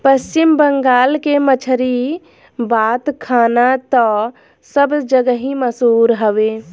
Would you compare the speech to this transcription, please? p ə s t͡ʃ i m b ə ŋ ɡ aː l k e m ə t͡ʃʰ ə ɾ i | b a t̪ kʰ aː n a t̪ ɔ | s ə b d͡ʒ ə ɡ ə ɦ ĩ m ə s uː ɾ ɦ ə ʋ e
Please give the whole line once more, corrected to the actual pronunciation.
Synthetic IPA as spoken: p ə s t͡ʃ i m b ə ŋ ɡ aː l k e m ə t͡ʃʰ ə ɾ i | b a t̪ kʰ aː n a t̪ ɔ | s ə b d͡ʒ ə ɡ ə ɦ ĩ m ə s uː ɾ ɦ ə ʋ e